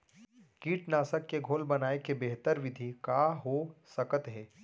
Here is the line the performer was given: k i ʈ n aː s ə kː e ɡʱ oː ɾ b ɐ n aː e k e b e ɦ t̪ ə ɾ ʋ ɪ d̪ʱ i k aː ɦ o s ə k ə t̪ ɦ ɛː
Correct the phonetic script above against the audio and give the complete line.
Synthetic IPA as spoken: k iː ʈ n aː s ə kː e ɡʱ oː l b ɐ n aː e k e b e ɦ t̪ ə ɾ ʋ ɪ d̪ʱ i k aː ɦ o s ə k ə t̪ ɦ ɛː